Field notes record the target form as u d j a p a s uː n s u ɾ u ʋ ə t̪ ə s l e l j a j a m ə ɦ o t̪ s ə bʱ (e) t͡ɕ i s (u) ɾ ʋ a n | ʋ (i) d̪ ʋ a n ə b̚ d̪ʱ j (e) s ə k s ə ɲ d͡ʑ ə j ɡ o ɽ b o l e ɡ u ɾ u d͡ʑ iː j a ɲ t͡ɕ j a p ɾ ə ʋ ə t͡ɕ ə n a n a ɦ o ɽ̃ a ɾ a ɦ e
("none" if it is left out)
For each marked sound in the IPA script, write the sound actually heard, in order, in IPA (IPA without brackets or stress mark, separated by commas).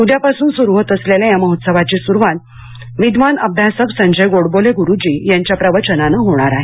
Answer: a, u, i, a